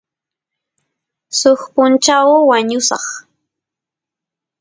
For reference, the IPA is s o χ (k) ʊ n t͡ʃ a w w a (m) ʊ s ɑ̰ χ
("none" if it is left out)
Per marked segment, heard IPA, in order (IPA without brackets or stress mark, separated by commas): p, ɲ